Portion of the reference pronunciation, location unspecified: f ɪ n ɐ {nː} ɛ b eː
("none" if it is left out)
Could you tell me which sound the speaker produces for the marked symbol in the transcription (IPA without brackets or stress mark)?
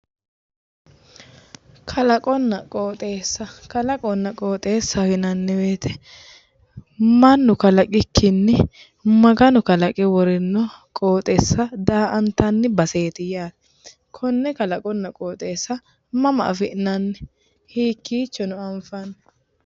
nː